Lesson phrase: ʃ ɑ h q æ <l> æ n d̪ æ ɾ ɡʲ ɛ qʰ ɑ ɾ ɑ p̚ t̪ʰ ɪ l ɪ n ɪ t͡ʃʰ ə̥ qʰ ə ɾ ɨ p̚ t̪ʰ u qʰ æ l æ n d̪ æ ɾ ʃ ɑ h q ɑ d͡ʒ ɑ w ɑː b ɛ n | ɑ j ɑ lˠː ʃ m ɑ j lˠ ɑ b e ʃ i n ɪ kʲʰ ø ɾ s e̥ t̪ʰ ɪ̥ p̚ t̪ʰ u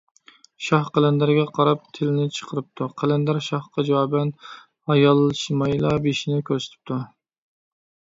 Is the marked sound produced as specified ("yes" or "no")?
yes